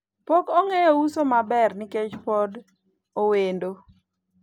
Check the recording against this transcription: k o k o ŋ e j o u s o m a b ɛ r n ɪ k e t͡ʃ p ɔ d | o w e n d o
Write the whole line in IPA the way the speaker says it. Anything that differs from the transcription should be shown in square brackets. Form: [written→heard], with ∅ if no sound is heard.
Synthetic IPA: [k→p] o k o ŋ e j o u s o m a b ɛ r n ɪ k e t͡ʃ p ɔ d | o w e n d o